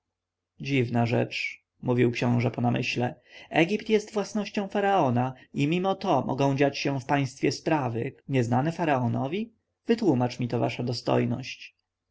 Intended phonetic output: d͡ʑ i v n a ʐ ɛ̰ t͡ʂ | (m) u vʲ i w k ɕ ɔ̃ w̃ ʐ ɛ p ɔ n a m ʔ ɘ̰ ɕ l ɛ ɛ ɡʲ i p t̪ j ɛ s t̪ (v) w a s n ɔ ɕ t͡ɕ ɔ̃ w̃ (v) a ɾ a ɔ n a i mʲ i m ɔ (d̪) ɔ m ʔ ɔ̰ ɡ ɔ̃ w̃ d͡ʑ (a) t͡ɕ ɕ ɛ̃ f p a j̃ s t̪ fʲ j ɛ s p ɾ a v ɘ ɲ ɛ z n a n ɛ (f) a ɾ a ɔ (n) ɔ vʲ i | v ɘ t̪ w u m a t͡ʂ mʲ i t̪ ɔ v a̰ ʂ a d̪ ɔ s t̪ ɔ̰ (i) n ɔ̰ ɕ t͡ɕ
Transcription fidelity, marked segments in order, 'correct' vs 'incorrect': correct, correct, incorrect, incorrect, correct, correct, correct, incorrect

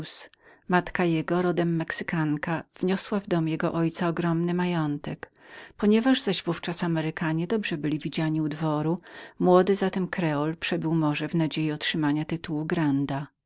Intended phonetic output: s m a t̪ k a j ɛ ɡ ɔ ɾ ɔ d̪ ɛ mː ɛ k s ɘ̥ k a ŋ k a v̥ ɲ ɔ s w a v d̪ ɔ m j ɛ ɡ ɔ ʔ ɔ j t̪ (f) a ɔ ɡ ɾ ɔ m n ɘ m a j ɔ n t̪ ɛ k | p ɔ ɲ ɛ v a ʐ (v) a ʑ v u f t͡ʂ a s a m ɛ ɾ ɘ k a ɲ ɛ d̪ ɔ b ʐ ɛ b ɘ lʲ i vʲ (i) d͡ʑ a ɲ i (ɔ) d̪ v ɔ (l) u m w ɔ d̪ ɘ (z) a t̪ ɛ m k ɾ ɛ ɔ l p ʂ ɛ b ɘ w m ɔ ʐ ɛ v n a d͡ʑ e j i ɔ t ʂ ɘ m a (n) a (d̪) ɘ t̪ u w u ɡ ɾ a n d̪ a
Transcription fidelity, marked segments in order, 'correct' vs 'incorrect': incorrect, incorrect, correct, incorrect, incorrect, correct, incorrect, incorrect

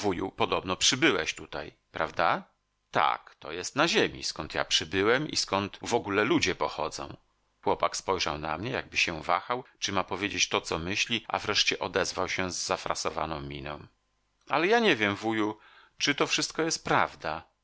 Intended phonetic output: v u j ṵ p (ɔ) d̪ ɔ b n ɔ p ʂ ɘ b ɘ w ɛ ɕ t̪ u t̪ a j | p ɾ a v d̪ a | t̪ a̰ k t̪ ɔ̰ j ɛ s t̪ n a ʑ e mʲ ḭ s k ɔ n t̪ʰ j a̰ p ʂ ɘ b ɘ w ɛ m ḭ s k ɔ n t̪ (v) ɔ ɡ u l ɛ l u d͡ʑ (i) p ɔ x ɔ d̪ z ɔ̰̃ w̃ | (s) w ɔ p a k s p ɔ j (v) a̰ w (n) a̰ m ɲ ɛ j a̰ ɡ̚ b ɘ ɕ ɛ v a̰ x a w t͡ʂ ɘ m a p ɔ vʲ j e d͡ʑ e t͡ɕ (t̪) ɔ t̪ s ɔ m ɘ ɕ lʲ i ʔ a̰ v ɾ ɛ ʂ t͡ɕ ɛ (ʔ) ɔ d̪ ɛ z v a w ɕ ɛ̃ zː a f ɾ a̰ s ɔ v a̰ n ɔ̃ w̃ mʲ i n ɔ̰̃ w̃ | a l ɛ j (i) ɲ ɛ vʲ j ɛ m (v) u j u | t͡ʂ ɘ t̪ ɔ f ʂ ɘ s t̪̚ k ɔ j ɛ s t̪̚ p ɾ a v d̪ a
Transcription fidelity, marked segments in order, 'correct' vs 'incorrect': correct, correct, incorrect, incorrect, incorrect, correct, correct, correct, incorrect, correct

